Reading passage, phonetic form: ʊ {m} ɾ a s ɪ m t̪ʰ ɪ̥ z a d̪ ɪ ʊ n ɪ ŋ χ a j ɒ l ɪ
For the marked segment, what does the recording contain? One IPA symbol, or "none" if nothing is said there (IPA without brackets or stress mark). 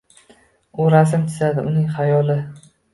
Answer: none